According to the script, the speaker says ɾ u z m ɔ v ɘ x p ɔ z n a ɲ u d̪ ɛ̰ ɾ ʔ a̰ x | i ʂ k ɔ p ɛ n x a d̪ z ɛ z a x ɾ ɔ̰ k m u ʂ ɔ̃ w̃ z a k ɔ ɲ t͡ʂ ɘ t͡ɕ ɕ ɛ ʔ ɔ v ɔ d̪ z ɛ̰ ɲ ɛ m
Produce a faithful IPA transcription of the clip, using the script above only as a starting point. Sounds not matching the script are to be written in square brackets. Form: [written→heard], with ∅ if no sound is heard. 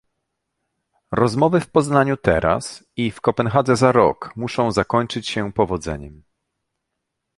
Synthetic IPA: ɾ [u→ɔ] z m ɔ v ɘ [x→f] p ɔ z n a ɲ u [d̪→t̪] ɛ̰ ɾ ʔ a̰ [x→s] | i [ʂ→f] k ɔ p ɛ n x a d̪ z ɛ z a [x→∅] ɾ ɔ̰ k m u ʂ ɔ̃ w̃ z a k ɔ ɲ t͡ʂ ɘ t͡ɕ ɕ ɛ [ʔ→p] ɔ v ɔ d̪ z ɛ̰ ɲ ɛ m